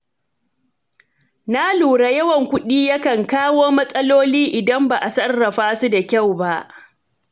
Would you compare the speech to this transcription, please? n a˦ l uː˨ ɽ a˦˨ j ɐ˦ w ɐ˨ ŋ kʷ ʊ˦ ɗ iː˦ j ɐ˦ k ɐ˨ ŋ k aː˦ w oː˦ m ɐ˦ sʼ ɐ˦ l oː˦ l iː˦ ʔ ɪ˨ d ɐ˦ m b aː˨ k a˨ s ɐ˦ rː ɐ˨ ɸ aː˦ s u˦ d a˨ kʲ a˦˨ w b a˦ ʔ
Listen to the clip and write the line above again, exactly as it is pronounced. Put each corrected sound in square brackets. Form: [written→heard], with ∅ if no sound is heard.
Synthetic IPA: n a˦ l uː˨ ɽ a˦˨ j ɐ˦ w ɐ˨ ŋ kʷ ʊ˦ ɗ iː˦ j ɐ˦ k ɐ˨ ŋ k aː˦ w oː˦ m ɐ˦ sʼ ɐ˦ l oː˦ l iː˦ ʔ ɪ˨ d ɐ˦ m b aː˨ [k→ʔ] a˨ s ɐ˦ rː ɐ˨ ɸ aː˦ s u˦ d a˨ kʲ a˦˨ w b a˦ ʔ